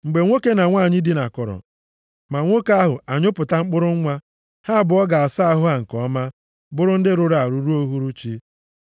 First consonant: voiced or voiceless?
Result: voiced